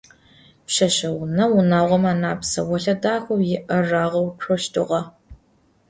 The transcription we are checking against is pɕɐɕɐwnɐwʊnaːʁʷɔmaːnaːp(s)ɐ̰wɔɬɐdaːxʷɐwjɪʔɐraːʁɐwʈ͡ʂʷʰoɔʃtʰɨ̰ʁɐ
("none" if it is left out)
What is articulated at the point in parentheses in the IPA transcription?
s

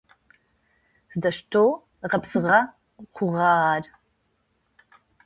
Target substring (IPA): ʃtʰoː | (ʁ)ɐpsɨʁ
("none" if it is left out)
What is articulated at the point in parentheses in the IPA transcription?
ʁ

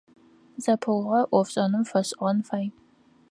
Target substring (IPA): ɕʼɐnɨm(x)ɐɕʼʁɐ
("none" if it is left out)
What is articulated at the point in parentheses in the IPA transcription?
f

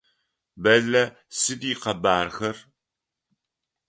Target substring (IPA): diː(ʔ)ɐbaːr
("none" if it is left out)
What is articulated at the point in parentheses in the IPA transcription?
q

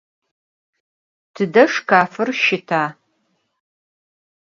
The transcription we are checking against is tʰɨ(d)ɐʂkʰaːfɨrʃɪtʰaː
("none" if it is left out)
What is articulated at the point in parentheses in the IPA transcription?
d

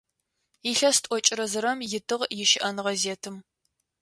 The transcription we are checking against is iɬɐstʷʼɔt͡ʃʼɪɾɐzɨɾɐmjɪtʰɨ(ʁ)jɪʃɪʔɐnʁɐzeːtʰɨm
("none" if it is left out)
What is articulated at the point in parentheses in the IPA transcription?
ʁ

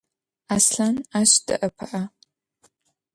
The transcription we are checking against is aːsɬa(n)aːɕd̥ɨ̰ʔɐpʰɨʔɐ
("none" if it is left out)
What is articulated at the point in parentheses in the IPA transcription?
n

